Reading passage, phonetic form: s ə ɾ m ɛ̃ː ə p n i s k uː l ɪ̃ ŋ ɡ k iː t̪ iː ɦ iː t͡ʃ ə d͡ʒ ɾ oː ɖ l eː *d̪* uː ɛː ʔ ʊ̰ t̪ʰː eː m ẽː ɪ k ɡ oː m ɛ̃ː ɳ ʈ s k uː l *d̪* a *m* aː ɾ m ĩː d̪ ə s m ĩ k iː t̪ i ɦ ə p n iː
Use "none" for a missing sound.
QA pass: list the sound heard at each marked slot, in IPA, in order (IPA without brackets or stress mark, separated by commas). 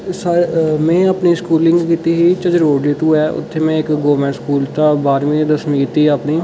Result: t̪, t̪, b